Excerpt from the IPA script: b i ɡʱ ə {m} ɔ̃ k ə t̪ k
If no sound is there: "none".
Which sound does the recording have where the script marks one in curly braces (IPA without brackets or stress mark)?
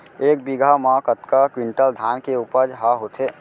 m